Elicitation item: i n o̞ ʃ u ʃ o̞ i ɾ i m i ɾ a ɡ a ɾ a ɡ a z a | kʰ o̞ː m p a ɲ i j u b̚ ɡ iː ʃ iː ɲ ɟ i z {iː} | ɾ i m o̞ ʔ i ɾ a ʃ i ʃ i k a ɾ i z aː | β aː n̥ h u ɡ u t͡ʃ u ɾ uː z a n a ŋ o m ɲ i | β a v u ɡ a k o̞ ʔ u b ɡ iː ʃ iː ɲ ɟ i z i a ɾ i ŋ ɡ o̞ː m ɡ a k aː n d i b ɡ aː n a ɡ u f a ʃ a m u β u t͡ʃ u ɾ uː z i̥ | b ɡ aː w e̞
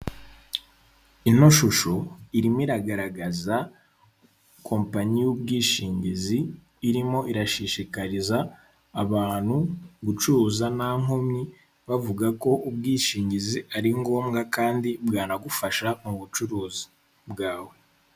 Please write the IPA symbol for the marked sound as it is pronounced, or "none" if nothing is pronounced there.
iː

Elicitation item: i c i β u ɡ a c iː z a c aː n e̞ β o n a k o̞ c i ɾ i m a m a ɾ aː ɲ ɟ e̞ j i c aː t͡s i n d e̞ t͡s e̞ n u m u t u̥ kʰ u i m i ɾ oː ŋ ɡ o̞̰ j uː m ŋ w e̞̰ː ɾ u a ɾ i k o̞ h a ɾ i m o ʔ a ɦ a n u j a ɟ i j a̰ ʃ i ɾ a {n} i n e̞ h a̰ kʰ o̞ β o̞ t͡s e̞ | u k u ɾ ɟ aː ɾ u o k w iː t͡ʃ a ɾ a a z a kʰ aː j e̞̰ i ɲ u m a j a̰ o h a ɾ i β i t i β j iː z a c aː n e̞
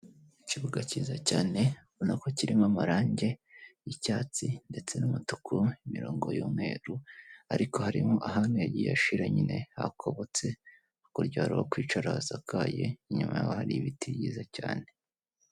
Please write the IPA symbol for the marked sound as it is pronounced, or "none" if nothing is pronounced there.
ɲ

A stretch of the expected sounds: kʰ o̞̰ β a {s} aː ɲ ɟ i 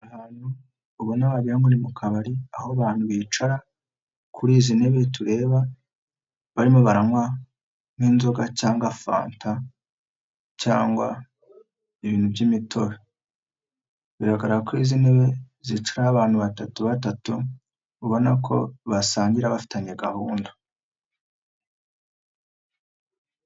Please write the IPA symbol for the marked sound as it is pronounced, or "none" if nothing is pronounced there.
s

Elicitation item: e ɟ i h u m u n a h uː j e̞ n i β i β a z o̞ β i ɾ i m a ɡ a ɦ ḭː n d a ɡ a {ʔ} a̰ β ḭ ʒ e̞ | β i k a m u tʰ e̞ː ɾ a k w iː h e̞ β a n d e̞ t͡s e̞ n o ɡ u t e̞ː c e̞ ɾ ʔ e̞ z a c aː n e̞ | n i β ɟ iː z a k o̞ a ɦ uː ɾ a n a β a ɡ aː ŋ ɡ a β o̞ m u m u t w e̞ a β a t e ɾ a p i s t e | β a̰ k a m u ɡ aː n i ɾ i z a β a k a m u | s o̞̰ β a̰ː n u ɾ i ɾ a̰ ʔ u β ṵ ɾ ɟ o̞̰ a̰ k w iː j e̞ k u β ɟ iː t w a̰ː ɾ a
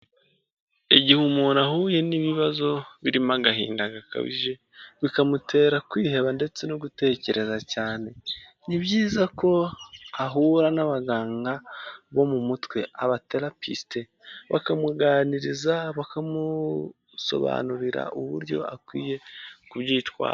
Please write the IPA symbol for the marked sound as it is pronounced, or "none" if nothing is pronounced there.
k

